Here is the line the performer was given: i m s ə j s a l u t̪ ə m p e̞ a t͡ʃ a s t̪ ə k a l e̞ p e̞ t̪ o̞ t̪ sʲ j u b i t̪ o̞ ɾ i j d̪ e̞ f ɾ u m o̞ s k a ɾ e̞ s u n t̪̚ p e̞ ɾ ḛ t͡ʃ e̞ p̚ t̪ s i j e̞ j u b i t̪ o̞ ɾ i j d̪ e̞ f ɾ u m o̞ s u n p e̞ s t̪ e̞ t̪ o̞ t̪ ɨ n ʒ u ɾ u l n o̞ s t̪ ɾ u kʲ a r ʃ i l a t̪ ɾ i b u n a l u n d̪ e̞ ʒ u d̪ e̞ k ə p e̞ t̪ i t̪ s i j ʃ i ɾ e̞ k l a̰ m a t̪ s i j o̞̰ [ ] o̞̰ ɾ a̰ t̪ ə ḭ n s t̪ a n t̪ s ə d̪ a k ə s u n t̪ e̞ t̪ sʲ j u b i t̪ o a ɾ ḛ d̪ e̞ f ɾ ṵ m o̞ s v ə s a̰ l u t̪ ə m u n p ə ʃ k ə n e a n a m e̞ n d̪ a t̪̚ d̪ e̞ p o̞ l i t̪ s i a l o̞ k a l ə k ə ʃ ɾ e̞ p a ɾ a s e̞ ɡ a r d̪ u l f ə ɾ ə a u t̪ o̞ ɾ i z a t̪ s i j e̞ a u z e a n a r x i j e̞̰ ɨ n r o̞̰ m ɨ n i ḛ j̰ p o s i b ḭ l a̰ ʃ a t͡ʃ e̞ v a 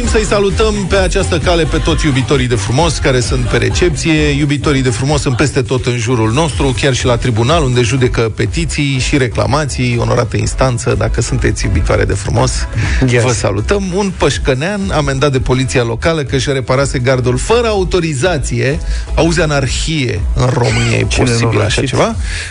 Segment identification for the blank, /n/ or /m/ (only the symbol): n